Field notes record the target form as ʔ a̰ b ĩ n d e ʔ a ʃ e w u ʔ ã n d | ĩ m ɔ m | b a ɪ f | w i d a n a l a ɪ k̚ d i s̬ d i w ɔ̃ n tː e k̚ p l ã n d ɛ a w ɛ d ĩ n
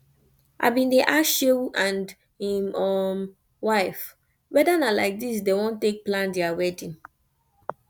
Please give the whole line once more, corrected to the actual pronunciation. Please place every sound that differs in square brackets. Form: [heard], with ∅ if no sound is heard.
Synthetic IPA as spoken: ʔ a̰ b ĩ n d e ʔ a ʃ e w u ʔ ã n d | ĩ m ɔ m | [w] a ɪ f | w [ɛ] d a n a l a ɪ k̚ d i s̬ d [e] w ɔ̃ n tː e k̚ p l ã n d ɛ a w ɛ d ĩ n